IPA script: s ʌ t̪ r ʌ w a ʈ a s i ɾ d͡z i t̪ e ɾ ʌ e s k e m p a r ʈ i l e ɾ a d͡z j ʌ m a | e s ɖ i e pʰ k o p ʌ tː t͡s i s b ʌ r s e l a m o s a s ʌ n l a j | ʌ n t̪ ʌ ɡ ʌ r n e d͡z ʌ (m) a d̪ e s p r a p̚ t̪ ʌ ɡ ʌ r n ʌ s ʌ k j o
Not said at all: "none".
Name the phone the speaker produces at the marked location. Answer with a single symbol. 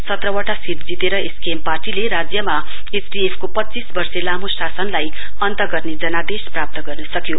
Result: n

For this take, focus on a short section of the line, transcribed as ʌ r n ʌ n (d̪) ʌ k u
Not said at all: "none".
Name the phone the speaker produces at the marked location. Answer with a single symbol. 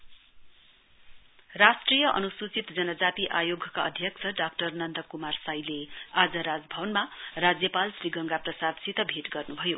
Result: d̪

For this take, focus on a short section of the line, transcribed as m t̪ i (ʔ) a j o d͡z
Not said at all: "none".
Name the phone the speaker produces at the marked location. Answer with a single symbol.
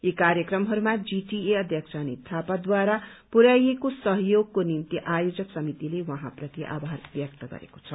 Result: ʔ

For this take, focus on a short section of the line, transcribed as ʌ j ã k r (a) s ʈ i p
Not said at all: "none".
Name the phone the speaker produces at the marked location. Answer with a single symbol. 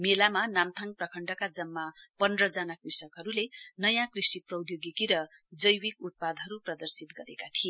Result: i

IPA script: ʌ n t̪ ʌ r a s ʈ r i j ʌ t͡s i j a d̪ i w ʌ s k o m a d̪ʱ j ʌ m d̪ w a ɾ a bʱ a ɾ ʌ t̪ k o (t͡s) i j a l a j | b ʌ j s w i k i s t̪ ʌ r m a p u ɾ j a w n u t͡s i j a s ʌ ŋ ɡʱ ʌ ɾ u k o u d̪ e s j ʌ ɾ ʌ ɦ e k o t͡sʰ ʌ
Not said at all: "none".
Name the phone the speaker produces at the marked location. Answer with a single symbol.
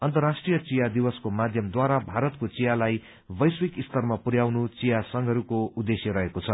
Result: t͡s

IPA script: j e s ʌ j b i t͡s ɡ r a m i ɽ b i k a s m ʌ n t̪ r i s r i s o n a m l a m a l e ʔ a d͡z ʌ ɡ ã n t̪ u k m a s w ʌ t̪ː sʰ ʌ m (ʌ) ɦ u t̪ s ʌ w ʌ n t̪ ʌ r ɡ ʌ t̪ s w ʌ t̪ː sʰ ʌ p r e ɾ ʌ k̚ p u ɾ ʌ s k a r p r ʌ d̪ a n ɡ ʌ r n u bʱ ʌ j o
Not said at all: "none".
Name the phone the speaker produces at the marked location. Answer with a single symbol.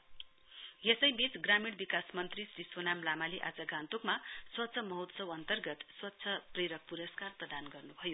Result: ʌ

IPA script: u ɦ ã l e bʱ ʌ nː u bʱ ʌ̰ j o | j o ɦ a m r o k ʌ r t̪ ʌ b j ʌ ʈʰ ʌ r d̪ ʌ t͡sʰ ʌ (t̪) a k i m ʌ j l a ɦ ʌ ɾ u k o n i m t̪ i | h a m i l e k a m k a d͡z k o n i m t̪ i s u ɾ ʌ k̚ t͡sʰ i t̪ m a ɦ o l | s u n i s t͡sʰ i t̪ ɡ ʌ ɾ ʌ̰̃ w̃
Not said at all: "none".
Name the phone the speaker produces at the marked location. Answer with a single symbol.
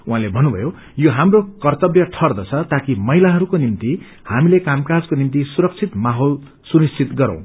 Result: t̪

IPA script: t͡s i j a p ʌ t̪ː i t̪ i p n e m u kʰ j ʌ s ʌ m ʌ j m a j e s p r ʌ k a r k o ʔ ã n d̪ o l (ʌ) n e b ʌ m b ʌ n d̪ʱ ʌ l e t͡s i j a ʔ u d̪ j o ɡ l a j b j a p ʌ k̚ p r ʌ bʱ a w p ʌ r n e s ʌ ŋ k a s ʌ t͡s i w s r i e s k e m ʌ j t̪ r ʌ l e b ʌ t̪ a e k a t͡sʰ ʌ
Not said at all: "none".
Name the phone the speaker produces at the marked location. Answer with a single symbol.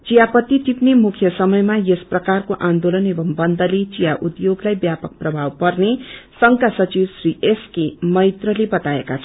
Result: ʌ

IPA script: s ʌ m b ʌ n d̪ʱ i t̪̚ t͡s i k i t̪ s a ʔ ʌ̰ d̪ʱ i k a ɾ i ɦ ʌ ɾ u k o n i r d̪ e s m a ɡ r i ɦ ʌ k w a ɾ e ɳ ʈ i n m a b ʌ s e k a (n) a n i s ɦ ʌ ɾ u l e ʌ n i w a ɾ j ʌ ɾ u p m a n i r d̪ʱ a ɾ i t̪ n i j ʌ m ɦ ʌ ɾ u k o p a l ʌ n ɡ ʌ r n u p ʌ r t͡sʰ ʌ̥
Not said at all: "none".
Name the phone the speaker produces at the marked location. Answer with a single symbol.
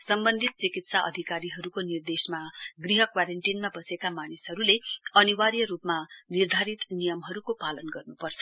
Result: m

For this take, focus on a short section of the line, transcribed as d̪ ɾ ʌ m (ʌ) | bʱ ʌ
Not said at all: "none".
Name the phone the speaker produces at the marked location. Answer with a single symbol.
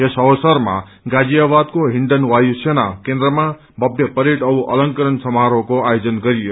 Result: a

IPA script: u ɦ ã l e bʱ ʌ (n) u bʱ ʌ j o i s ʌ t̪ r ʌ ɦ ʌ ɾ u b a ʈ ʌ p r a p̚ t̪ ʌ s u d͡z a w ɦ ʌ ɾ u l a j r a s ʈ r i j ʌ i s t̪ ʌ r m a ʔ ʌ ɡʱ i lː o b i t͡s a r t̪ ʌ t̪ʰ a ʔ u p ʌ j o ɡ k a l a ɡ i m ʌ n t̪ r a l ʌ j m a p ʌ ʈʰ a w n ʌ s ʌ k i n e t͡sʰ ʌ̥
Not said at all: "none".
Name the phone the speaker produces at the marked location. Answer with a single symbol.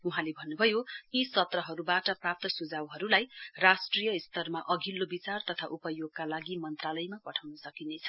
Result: nː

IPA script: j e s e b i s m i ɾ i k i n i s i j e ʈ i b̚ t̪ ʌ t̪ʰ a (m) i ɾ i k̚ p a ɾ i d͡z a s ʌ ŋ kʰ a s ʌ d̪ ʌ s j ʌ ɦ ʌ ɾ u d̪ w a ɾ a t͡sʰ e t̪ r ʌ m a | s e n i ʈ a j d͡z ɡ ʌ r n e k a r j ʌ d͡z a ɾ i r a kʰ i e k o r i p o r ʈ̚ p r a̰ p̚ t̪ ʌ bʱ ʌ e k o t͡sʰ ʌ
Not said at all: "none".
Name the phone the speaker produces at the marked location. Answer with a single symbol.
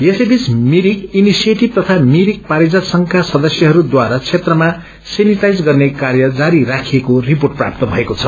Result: m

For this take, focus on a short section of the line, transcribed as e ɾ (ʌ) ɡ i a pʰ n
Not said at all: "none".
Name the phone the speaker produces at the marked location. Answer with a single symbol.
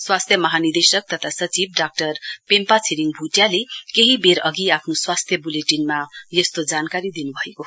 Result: ʌ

